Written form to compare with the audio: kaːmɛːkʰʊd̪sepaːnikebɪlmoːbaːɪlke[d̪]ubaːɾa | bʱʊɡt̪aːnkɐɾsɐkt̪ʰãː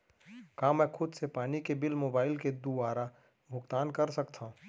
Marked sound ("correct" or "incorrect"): correct